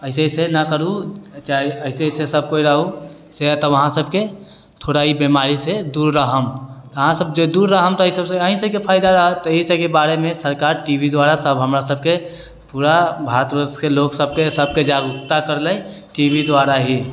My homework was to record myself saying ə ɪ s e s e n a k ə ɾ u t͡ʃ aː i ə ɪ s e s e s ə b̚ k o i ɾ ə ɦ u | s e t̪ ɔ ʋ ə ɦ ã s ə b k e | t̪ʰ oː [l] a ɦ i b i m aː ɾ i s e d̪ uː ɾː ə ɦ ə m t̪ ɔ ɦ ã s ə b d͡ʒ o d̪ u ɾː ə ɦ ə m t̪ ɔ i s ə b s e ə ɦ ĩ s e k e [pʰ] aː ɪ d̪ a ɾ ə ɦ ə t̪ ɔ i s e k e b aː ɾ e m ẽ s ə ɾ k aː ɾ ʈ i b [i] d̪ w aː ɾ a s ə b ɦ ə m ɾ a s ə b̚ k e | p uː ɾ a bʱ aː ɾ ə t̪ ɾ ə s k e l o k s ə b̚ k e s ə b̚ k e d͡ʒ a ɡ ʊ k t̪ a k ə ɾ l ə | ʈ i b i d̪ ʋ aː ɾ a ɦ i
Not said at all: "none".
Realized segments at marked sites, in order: ɽ, pʰ, i

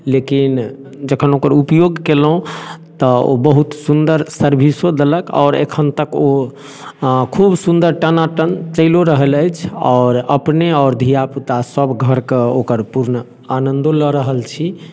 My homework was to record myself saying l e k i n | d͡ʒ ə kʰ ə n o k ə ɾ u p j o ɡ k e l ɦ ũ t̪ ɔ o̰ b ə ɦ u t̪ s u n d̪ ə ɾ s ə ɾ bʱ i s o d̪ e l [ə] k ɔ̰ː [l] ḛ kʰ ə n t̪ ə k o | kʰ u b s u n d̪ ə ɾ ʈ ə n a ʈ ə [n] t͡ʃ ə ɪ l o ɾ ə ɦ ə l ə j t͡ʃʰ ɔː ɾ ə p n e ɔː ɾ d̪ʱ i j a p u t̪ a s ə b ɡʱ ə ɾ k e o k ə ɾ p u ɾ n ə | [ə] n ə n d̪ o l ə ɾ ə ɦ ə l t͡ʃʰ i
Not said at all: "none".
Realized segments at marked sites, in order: ə, ɾ, n, a

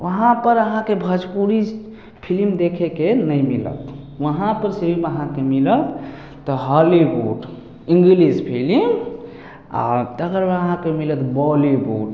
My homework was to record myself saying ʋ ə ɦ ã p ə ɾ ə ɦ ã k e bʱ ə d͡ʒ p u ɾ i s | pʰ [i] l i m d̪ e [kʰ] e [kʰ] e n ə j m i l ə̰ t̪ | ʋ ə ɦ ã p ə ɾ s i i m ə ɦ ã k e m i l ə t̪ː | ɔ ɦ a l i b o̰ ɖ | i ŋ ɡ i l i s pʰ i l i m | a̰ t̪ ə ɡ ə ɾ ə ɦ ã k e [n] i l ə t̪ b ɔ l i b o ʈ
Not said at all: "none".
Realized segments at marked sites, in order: i, kʰ, k, m

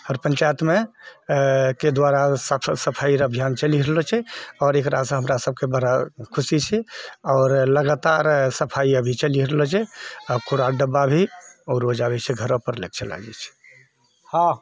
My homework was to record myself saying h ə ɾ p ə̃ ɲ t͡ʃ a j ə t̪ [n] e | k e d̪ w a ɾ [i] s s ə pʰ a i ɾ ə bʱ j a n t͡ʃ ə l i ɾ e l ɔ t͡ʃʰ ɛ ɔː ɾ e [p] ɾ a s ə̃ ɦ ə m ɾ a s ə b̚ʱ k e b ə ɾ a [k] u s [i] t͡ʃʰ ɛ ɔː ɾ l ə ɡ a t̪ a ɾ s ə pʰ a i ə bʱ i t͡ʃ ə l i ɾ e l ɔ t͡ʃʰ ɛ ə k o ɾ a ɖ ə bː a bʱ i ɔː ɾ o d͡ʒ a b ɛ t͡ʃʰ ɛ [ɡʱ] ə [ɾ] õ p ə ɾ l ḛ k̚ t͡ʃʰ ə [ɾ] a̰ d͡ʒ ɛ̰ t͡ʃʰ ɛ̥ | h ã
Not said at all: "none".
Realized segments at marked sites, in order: m, a, k, kʰ, i, ɡʱ, ɾ, l

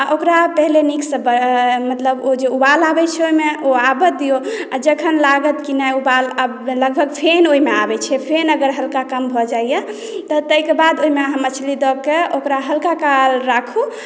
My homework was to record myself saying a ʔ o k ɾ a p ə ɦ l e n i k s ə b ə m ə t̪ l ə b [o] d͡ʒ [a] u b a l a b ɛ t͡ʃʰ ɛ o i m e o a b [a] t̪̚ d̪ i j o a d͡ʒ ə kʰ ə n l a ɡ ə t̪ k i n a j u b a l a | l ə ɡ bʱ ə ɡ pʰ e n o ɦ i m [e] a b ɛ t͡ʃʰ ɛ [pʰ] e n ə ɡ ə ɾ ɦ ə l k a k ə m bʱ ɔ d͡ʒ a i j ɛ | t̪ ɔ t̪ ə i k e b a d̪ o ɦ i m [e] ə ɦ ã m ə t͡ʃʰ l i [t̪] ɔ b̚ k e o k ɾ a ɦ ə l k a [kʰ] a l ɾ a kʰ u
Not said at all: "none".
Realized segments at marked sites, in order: o, e, ə, e, pʰ, e, d̪, k

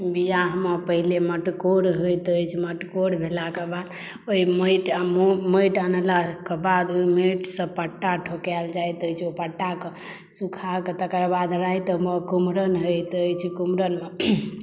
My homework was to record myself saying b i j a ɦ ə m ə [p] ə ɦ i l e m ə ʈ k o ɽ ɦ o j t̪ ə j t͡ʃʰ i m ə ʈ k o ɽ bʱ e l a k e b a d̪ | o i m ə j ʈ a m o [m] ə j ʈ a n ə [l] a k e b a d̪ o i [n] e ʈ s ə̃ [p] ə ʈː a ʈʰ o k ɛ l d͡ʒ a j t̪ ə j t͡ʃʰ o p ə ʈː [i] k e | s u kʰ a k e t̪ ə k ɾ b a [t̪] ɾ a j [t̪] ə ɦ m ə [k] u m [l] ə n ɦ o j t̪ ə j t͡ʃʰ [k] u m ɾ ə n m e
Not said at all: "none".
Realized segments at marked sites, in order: p, m, l, m, p, a, d̪, t̪, k, ɾ, k

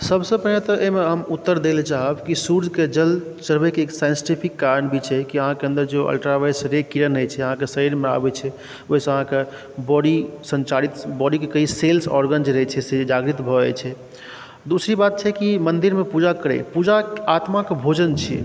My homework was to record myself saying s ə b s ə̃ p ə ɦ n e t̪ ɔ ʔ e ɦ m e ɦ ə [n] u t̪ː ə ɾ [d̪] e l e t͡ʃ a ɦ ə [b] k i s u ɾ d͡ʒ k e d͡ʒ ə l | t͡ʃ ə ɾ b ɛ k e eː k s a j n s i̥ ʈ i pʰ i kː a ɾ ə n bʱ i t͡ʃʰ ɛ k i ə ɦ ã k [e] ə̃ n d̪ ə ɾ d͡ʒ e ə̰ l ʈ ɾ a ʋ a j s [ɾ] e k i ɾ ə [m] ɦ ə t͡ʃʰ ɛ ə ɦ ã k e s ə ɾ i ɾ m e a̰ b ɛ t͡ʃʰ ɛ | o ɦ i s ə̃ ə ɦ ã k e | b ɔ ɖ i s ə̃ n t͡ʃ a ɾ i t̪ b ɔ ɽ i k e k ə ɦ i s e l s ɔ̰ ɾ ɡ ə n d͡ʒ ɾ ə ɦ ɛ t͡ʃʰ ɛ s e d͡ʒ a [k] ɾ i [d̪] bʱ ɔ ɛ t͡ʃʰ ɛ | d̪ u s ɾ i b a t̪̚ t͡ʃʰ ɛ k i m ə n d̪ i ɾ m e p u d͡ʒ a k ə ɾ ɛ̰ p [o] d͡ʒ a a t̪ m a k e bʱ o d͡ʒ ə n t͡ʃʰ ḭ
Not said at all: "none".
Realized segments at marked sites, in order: m, d̪, b, e, ɾ, n, ɡ, t̪, u

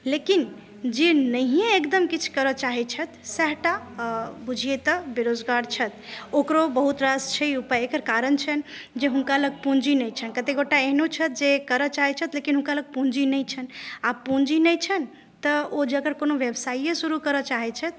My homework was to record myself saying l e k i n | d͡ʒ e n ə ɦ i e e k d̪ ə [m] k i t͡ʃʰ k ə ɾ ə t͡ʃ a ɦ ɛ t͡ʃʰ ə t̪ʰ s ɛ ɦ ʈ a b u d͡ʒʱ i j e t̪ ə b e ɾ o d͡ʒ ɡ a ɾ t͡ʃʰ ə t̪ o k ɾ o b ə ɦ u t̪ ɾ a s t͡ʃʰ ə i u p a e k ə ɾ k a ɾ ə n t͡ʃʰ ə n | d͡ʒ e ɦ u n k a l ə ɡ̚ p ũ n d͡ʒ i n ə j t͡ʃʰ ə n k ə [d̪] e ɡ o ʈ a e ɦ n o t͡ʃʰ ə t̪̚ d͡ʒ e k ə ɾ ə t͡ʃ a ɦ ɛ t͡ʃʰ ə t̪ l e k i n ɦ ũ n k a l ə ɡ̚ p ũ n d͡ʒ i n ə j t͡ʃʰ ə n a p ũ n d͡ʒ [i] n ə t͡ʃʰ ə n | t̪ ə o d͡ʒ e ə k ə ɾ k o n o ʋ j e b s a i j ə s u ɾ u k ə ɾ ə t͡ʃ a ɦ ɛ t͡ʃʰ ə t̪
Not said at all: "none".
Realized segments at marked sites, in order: m, t̪, i

